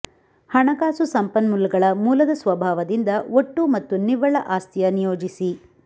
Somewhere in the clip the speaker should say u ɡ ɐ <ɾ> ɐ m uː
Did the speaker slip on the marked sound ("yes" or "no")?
yes